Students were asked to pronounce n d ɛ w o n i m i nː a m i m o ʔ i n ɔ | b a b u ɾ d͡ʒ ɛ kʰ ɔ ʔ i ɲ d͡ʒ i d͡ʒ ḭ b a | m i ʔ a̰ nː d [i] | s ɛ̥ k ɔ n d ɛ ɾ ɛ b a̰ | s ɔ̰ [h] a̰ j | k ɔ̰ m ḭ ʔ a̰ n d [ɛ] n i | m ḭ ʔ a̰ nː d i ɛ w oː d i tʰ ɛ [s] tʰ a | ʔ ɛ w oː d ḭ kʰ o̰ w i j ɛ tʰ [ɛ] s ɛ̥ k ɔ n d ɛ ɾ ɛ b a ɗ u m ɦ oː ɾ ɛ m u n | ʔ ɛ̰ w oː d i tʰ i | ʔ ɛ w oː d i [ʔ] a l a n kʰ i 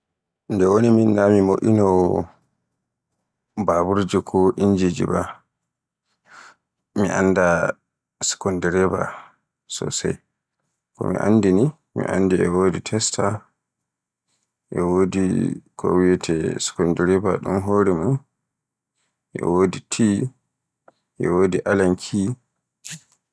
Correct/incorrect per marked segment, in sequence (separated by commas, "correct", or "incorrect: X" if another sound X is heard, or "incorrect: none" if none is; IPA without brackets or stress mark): incorrect: a, incorrect: s, incorrect: i, correct, correct, correct